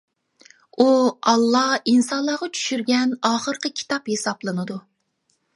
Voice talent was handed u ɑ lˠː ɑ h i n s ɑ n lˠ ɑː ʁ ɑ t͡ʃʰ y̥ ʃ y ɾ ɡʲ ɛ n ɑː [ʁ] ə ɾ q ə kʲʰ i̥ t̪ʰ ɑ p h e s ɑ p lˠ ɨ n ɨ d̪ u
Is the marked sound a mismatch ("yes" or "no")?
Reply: yes